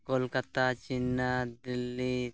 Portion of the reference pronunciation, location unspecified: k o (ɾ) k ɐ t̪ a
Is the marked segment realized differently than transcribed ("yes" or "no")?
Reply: yes